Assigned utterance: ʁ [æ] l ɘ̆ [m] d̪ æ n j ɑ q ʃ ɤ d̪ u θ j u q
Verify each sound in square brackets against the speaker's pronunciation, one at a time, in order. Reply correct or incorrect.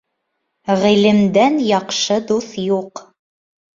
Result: incorrect: i, correct

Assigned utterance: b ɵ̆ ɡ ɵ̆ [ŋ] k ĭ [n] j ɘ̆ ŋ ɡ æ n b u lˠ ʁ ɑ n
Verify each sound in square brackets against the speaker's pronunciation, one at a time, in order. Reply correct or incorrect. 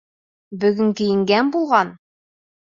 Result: correct, incorrect: none

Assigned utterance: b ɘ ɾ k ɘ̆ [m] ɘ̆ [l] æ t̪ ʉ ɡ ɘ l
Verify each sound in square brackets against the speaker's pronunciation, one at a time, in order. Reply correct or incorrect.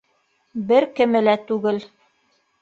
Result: correct, correct

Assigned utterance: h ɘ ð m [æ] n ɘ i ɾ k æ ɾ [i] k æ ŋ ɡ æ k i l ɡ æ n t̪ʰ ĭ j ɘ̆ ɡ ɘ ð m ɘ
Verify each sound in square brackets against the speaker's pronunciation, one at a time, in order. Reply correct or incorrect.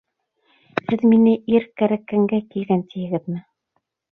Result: incorrect: i, incorrect: æ

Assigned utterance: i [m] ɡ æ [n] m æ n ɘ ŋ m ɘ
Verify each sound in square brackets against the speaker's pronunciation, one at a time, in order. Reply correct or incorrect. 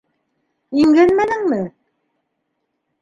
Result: incorrect: ŋ, correct

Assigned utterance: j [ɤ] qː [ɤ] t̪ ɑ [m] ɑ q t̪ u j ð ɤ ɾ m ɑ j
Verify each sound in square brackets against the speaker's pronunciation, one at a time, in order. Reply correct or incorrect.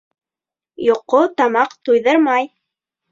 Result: incorrect: o, incorrect: o, correct

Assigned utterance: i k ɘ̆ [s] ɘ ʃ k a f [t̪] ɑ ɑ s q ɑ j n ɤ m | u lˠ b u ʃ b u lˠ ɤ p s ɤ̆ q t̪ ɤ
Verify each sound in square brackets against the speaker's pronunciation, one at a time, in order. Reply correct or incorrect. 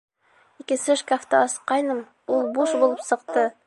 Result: correct, correct

